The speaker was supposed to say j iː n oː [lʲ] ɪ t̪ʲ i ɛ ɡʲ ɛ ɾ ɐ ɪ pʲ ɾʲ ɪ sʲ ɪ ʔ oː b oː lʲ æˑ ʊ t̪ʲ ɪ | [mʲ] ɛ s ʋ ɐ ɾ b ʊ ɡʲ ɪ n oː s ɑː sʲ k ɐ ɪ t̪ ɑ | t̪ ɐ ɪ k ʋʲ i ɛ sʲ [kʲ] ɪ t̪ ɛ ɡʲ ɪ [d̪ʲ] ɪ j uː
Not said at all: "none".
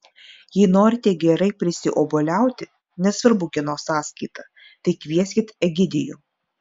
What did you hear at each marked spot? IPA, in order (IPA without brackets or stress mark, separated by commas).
ɾʲ, nʲ, kʲ, d̪ʲ